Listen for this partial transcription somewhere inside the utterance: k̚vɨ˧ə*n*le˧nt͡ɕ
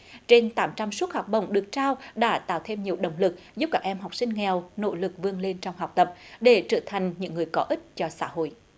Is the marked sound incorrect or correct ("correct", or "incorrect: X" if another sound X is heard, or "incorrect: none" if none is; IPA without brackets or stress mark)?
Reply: incorrect: ŋ